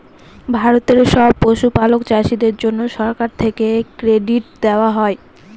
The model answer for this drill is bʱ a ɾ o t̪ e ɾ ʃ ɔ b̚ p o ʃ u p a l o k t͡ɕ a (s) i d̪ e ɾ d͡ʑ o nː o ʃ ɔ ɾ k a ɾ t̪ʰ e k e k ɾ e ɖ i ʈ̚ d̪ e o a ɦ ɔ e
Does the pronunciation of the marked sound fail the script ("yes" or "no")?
yes